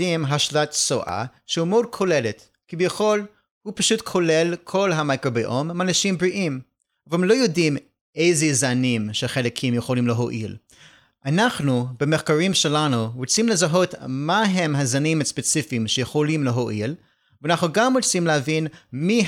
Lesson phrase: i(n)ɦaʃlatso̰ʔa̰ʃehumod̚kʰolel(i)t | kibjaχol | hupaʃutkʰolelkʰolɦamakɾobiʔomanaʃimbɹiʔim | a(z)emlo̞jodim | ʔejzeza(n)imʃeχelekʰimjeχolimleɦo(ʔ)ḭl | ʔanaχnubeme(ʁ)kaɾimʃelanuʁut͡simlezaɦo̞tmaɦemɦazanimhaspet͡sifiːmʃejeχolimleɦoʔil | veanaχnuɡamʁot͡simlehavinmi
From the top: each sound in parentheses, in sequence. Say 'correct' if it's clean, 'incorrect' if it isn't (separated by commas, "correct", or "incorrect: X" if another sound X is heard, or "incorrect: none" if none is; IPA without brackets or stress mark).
incorrect: m, incorrect: e, incorrect: v, correct, correct, incorrect: χ